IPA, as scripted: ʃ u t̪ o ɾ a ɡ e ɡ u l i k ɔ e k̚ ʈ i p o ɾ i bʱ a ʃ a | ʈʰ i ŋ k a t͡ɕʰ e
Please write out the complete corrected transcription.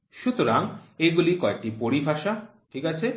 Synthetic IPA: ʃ u t̪ o ɾ a ŋ e ɡ u l i k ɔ e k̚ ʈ i p o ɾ i bʱ a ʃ a | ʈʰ i k a t͡ɕʰ e